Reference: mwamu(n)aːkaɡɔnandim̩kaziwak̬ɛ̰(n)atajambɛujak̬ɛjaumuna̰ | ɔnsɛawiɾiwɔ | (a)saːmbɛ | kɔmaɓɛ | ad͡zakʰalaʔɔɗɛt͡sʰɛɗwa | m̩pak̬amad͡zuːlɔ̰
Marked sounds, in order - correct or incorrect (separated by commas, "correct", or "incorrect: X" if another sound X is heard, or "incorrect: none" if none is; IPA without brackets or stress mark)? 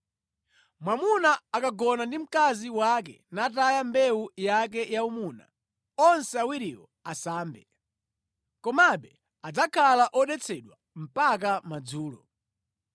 correct, correct, correct